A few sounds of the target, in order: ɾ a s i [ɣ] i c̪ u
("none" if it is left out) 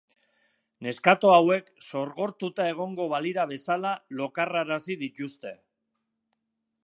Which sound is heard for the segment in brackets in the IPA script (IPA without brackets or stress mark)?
ð